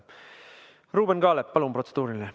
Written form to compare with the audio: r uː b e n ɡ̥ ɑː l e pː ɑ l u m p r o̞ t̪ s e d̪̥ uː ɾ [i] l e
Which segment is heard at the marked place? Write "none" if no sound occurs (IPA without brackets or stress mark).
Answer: i